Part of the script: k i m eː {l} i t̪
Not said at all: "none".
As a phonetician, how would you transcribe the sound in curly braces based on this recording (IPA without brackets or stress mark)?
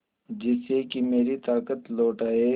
ɾ